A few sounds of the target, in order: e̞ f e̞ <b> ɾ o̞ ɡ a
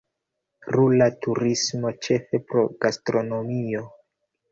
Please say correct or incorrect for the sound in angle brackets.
incorrect